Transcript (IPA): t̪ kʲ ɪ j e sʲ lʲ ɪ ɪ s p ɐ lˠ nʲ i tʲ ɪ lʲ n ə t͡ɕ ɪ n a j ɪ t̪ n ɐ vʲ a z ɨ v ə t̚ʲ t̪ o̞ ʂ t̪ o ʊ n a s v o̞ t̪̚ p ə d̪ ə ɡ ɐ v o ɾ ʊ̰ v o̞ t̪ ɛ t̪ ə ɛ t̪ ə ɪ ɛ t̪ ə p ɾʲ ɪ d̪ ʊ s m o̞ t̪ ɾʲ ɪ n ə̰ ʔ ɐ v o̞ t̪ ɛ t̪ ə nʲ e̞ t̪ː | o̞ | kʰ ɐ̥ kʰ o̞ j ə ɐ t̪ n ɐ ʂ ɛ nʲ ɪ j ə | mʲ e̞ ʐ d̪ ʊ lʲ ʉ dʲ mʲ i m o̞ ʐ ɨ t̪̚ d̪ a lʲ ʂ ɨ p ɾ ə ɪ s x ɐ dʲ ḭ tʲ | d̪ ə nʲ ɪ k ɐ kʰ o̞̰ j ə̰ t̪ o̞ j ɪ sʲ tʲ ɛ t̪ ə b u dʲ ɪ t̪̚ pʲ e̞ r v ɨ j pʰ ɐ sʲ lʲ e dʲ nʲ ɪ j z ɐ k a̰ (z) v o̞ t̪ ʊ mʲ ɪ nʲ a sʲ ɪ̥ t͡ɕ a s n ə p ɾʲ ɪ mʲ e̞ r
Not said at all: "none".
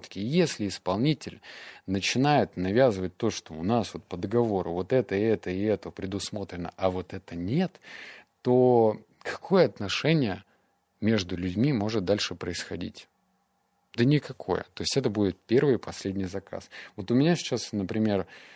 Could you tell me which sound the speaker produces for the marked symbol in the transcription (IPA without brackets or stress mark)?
s